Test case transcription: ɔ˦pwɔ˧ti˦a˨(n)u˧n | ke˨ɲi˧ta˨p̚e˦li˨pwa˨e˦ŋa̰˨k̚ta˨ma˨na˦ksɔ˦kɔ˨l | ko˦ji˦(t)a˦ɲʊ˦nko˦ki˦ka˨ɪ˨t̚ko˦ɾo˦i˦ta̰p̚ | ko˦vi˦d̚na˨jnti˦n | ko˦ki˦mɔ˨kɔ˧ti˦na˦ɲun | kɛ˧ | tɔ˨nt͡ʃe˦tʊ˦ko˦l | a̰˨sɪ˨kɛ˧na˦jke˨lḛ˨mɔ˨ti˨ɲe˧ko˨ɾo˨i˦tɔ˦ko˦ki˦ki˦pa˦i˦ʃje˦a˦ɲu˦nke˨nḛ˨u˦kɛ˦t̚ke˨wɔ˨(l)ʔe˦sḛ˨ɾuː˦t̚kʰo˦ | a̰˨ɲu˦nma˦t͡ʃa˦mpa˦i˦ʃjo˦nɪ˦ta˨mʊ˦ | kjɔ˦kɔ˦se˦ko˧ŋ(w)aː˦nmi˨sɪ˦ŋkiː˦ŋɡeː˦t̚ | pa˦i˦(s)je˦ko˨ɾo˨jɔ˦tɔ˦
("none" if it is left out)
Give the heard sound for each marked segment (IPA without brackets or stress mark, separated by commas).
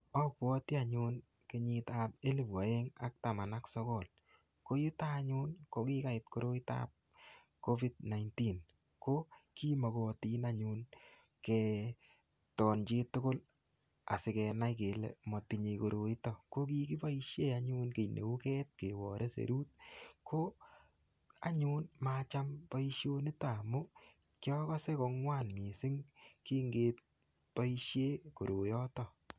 ɲ, t, ɾ, w, ʃ